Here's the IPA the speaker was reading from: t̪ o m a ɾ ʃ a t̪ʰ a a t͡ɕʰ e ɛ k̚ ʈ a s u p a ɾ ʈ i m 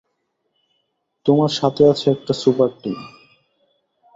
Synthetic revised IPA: t̪ o m a ɾ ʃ a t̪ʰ e a t͡ɕʰ e ɛ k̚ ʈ a s u p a ɾ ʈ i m